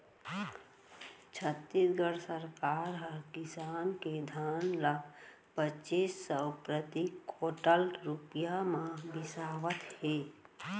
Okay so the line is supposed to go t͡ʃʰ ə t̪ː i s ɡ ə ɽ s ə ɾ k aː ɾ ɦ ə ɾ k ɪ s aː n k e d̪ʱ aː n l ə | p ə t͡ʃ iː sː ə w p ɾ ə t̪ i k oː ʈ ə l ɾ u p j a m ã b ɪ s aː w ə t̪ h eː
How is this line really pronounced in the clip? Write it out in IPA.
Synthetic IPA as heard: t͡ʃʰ ə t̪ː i s ɡ ə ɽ s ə ɾ k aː ɾ ɦ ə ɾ k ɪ s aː n k e d̪ʱ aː n l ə | p ə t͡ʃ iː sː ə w p ɾ ə t̪ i k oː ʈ ə l ɾ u p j a m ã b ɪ s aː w ə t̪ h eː